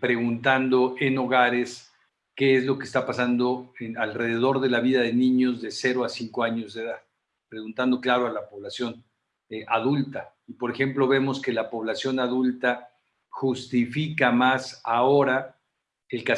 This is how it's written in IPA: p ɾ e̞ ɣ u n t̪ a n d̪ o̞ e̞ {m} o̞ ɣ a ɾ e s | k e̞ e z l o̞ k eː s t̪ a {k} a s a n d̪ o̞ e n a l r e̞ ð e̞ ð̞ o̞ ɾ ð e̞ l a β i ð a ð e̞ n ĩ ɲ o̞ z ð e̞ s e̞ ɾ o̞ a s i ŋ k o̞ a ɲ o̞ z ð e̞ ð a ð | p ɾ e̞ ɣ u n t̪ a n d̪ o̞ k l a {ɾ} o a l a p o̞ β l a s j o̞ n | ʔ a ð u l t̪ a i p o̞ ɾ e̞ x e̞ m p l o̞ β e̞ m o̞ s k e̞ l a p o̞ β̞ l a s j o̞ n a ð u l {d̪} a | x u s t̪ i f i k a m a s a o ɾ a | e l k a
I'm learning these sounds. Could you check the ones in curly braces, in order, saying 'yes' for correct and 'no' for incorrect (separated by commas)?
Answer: no, no, yes, no